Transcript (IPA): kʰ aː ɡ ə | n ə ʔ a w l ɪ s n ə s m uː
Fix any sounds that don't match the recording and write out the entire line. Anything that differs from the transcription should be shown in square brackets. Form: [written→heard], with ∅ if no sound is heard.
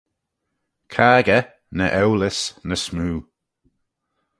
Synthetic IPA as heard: kʰ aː ɡ ə | n ə ʔ [a→ɛ] w l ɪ s n ə s m uː